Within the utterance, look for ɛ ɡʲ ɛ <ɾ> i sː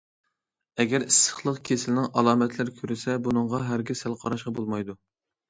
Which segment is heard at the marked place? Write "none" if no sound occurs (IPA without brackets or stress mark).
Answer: ɾ